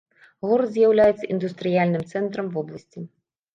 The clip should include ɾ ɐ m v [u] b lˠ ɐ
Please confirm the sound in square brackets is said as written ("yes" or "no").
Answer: no